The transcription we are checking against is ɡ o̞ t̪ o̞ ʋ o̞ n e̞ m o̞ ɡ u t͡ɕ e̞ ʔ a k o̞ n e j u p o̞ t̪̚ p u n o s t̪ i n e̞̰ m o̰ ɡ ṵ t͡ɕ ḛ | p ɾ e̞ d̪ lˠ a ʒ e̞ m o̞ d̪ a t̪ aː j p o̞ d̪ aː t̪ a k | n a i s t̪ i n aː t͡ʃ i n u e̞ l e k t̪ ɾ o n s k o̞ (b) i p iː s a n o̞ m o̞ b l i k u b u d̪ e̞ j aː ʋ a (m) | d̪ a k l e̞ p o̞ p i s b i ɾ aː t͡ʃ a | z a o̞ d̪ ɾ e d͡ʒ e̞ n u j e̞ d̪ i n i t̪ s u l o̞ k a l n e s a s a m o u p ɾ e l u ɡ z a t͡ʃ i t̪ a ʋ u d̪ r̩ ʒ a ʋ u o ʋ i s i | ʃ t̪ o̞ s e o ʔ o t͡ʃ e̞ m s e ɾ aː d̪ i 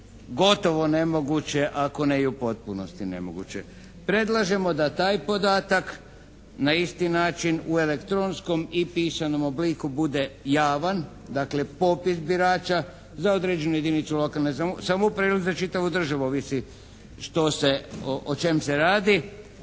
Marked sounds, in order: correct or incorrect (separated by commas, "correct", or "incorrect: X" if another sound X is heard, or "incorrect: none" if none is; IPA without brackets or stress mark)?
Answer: incorrect: m, incorrect: n